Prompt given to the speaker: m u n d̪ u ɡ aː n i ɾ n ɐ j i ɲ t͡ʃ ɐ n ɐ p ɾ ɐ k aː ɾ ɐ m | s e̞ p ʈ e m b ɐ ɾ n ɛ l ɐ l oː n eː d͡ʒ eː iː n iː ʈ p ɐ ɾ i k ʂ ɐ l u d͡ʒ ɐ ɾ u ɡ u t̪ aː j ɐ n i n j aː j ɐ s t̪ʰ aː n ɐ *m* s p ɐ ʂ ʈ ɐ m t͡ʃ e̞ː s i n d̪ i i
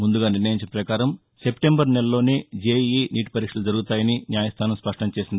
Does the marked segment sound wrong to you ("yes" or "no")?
no